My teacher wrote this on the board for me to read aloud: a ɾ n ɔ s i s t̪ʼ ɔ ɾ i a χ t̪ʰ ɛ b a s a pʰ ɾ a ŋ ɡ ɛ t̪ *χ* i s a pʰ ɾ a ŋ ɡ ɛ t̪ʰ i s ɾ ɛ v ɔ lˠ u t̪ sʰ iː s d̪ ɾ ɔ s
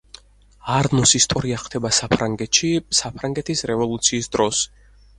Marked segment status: incorrect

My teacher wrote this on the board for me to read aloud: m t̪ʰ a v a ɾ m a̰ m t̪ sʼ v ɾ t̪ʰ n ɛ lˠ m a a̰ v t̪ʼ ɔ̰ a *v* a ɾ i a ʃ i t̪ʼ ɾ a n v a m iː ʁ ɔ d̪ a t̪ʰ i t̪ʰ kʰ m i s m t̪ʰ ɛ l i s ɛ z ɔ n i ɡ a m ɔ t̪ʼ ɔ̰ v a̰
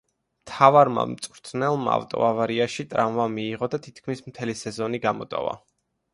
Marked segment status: correct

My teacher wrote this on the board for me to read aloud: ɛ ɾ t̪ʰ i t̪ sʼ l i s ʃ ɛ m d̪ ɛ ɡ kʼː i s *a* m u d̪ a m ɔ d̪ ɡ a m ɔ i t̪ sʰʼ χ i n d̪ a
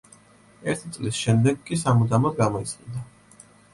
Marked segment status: correct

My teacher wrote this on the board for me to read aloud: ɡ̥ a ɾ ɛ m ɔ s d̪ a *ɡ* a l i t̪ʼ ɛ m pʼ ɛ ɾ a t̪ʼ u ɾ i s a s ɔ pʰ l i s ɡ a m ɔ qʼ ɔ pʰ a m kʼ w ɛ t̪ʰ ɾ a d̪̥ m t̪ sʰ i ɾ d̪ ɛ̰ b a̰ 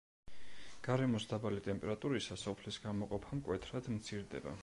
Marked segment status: incorrect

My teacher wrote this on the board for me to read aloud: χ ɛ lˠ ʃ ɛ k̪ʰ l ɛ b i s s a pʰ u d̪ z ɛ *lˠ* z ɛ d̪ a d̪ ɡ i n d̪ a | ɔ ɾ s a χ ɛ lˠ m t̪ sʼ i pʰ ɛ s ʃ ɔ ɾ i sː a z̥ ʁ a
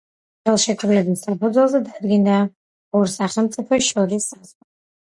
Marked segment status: correct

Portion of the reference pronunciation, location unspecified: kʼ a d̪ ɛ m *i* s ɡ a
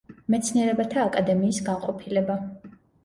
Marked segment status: incorrect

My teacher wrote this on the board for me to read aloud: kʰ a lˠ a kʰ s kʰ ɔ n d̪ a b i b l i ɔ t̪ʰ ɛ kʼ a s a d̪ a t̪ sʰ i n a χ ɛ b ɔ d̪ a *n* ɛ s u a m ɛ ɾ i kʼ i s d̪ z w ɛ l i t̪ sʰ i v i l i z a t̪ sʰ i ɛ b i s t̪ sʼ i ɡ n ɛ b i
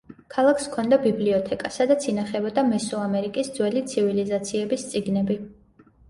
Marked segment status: incorrect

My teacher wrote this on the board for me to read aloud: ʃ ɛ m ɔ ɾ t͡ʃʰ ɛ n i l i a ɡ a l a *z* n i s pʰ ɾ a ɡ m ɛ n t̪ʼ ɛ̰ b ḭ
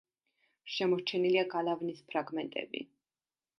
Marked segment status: incorrect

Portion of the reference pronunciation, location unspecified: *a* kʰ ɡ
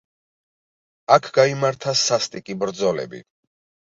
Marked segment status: correct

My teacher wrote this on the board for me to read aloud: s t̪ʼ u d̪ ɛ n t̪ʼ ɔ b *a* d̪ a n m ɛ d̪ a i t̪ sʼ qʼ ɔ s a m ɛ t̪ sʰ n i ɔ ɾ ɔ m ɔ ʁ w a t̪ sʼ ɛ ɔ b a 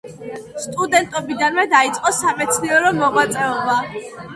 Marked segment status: incorrect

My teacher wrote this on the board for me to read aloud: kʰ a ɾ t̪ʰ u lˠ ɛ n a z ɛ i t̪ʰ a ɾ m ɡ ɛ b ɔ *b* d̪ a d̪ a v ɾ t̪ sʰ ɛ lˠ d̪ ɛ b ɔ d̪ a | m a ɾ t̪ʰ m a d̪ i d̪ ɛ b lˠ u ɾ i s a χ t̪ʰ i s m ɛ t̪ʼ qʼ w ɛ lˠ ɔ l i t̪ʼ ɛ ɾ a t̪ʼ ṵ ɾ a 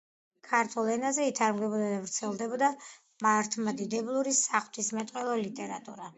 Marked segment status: incorrect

